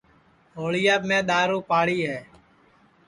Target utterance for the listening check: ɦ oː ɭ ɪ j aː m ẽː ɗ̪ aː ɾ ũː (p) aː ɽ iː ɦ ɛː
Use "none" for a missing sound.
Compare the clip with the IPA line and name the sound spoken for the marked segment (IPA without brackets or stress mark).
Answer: p